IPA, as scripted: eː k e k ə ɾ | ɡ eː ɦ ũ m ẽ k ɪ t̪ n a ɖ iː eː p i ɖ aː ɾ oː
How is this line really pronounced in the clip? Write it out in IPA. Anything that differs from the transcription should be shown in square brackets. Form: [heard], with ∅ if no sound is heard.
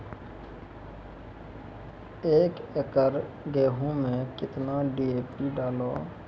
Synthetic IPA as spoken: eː k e k ə ɾ | ɡ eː ɦ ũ m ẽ k ɪ t̪ n a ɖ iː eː p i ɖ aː [l] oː